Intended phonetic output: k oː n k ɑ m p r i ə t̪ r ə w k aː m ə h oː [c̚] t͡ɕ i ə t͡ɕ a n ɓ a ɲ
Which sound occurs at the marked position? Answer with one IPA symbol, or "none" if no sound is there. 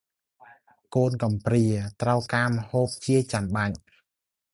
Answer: p̚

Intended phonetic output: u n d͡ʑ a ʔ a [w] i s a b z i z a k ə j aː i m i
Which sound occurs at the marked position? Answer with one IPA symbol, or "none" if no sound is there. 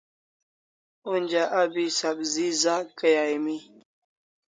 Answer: b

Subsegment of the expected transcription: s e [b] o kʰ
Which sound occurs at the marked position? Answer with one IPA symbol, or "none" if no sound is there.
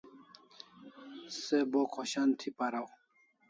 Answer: b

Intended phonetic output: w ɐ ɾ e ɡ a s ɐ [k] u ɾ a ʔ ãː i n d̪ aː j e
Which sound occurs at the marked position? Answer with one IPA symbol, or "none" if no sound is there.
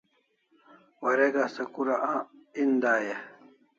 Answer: k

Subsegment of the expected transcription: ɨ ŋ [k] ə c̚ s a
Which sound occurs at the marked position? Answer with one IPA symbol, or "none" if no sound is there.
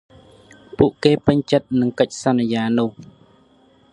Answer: k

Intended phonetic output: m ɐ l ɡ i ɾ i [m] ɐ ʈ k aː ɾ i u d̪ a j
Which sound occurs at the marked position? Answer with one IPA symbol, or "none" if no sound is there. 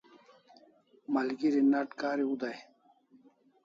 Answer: n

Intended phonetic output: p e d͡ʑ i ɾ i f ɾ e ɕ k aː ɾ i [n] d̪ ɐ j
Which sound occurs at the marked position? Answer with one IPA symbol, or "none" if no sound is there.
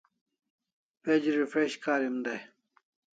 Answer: m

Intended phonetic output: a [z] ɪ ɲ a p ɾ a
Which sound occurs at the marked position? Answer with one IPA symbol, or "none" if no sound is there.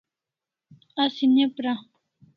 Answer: s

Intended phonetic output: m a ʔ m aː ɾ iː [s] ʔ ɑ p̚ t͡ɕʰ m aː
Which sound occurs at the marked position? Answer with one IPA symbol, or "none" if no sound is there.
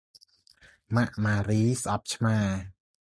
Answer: s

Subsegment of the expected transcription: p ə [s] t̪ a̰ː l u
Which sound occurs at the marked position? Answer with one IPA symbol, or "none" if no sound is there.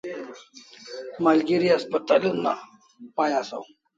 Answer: none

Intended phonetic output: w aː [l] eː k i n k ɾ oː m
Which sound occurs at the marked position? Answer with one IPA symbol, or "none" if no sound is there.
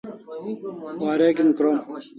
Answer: ɾ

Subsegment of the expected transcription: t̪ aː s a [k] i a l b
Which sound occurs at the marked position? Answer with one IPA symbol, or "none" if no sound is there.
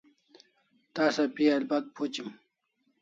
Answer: p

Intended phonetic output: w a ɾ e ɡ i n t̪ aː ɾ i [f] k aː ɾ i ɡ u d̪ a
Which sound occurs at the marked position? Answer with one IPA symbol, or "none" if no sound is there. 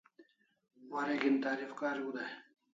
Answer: f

